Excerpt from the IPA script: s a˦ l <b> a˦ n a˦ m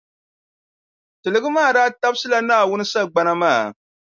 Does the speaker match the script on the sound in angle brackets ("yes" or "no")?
no